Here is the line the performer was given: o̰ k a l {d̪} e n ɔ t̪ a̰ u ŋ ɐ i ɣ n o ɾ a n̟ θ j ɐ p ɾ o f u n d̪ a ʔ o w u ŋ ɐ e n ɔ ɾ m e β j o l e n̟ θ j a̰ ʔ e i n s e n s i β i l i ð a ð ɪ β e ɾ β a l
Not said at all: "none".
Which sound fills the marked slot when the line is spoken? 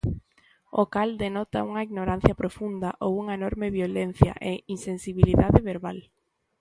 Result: d̪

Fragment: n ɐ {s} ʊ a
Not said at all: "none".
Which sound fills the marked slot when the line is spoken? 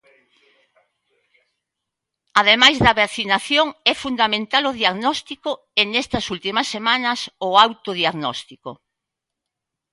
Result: s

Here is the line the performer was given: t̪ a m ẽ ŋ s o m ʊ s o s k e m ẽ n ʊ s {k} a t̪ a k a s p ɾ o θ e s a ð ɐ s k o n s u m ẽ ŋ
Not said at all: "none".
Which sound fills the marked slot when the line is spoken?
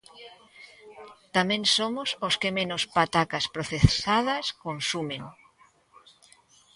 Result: p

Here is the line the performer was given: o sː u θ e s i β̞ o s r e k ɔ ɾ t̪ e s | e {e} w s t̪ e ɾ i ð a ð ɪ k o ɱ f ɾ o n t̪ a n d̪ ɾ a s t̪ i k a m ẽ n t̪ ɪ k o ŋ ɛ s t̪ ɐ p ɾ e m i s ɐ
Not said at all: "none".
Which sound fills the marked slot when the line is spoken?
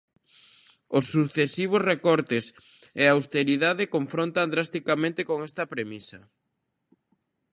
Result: a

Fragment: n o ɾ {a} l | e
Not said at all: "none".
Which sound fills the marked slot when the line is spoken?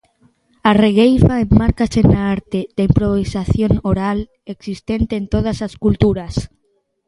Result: a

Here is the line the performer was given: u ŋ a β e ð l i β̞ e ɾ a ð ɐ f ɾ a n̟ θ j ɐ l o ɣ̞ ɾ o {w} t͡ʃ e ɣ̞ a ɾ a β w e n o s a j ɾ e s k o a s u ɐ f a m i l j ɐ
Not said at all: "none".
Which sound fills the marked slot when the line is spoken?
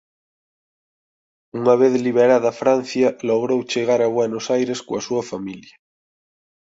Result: w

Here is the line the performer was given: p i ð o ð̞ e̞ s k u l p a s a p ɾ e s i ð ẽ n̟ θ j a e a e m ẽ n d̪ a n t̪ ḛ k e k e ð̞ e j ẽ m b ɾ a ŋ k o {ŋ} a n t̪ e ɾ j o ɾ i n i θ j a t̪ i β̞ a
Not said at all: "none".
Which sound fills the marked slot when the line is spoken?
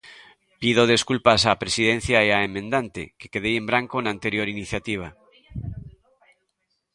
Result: n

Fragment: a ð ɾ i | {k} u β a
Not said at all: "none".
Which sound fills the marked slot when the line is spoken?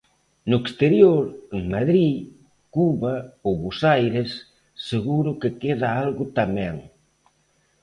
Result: k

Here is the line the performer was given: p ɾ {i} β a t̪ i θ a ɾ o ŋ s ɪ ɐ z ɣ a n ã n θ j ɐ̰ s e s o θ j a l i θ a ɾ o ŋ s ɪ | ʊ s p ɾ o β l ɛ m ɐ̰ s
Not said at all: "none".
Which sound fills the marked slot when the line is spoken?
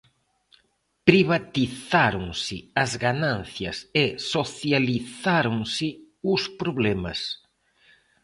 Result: i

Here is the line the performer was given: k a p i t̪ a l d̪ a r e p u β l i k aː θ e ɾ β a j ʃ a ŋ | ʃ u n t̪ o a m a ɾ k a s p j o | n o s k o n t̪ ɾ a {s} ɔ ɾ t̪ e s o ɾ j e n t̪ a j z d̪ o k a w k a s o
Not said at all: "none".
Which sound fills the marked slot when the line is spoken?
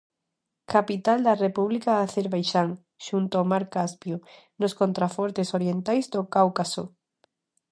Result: f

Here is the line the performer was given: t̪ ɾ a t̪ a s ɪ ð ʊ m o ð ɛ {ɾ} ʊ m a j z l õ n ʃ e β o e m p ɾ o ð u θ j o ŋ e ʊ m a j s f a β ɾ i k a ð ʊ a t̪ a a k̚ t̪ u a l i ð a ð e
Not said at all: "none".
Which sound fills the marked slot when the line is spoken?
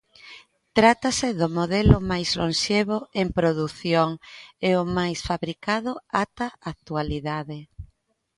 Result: l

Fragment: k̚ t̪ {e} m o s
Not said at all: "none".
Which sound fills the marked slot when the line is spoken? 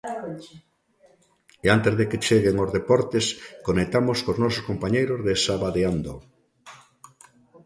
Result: a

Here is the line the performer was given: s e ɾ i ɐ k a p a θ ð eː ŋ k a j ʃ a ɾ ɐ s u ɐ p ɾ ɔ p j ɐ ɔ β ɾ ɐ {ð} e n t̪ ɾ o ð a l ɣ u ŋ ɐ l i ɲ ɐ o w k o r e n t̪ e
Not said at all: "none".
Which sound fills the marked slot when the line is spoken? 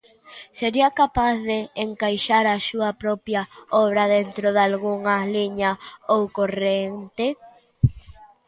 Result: ð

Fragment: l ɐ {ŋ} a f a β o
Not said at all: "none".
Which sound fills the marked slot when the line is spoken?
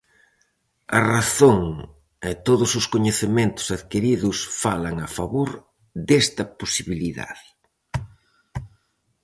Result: ŋ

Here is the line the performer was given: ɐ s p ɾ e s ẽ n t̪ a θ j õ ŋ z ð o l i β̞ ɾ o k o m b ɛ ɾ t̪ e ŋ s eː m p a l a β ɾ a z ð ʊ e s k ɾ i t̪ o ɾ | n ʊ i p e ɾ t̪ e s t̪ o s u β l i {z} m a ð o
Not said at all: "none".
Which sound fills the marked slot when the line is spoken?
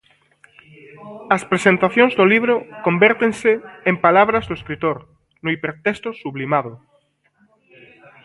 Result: none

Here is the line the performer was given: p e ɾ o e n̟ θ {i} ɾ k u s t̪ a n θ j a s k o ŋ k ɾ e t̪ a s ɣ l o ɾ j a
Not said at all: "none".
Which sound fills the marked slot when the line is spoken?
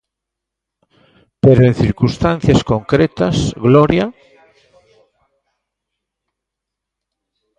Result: i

